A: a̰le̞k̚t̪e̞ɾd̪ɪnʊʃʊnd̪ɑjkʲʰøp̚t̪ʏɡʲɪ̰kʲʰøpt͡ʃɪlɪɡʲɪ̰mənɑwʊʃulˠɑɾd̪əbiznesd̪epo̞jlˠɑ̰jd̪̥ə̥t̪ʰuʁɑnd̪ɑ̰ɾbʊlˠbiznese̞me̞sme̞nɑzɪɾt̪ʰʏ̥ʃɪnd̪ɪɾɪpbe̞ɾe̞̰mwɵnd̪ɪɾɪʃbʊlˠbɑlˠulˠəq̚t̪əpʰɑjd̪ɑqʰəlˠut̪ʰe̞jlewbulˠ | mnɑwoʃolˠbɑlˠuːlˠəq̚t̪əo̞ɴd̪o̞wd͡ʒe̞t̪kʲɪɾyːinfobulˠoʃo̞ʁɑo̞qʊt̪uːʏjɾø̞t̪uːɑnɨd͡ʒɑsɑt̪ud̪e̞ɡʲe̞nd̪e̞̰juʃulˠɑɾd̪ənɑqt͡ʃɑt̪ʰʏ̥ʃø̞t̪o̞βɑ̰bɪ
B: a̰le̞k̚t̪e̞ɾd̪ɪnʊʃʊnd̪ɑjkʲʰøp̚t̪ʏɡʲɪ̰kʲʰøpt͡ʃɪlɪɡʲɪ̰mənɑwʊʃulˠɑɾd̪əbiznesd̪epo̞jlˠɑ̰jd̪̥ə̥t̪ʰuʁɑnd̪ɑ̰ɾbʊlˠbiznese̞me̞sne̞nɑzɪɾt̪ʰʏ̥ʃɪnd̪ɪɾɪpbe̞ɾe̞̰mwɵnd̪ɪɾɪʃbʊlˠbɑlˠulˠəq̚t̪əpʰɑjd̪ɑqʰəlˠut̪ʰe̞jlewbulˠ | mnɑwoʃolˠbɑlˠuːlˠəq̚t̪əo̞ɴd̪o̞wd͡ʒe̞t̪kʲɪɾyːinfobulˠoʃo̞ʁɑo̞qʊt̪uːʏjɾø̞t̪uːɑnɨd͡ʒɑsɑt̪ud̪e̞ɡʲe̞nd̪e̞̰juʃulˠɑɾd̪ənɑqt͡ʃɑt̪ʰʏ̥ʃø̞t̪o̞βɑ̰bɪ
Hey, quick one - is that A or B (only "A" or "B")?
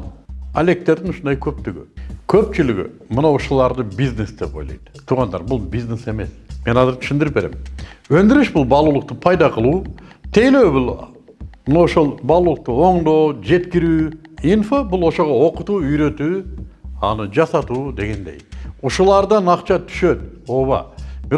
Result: A